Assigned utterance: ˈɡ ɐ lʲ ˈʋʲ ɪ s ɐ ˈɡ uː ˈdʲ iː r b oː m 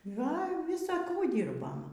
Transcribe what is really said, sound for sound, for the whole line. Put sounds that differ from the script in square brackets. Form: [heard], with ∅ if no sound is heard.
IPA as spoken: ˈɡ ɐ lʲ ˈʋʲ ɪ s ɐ [ˈk] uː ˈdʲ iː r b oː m